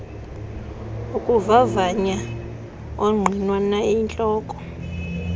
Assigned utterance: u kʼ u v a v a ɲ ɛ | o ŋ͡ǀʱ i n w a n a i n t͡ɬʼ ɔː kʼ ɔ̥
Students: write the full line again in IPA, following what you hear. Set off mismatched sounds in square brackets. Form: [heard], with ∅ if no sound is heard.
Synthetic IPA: u kʼ u v a v a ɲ [a] | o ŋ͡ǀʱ i n w a n a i n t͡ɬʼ ɔː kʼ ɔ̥

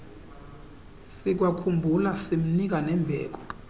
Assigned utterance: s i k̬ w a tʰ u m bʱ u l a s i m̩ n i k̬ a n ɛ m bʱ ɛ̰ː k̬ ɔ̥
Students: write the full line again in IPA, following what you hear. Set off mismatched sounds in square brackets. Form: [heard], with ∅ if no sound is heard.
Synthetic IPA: s i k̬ w a [kʰ] u m bʱ u l a s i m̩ n i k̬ a n ɛ m bʱ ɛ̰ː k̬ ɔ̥

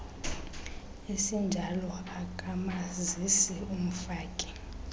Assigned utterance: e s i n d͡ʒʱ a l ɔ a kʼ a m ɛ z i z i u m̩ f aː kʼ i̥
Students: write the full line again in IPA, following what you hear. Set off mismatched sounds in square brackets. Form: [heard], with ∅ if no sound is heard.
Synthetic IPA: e s i n d͡ʒʱ a l ɔ a kʼ a m [a] z i [s] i u m̩ f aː kʼ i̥

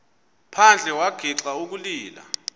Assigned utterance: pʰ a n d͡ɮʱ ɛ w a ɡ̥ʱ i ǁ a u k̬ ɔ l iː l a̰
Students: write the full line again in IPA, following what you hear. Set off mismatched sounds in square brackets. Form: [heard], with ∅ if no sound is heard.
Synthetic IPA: pʰ a n d͡ɮʱ ɛ w a ɡ̥ʱ i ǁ a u k̬ [u] l iː l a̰

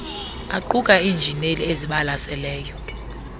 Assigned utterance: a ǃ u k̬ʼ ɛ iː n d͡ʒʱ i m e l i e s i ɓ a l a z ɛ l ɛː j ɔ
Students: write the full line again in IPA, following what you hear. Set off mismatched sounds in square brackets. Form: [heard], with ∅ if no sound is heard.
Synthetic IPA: a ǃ u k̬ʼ [a] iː n d͡ʒʱ i [n] e l i e [z] i ɓ a l a [s] ɛ l ɛː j ɔ

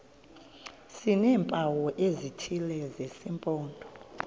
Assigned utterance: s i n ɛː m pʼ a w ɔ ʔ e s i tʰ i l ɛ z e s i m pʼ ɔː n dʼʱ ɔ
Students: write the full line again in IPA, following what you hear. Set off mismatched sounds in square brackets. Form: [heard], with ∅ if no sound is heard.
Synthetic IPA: s i n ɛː m pʼ a w ɔ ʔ e [z] i tʰ i l ɛ z e s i m pʼ ɔː n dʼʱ ɔ

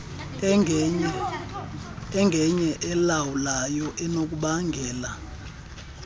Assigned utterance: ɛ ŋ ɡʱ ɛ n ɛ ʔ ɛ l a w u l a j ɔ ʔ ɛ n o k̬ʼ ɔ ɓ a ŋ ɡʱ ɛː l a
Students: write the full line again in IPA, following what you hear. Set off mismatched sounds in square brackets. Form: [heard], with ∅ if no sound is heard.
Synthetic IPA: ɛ ŋ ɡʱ ɛ [ɲ] ɛ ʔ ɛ l a w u l a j ɔ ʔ ɛ n o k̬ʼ [u] ɓ a ŋ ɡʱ ɛː l a

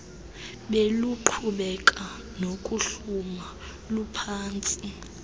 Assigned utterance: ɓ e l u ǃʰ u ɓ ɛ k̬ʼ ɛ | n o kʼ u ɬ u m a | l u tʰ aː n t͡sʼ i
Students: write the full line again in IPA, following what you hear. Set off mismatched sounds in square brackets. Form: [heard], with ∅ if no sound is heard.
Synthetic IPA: ɓ e l u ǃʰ u ɓ ɛ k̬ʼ [a] | n o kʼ u ɬ u m a | l u [pʰ] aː n t͡sʼ i

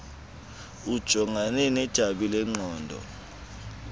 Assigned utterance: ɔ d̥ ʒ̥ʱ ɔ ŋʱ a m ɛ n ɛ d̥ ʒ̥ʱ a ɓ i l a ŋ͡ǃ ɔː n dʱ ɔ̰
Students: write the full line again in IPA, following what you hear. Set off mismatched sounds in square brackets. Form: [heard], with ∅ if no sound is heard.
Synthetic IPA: [u] d̥ ʒ̥ʱ ɔ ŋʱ a [n] ɛ n ɛ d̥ ʒ̥ʱ a ɓ i l [ɛ] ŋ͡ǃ ɔː n dʱ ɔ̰

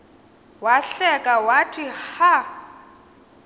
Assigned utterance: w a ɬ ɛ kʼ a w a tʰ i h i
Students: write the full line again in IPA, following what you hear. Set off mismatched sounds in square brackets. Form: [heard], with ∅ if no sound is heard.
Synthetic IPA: w a ɬ ɛ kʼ a w a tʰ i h [a]

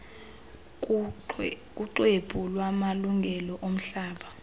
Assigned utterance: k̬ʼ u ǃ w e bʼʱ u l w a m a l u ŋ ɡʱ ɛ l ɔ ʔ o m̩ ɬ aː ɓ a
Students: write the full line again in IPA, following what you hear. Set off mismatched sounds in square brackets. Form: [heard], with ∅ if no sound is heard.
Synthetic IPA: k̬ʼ u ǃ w e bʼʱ u l w a m a l u ŋ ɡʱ ɛ l ɔ ʔ o m̩ ɬ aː ɓ a

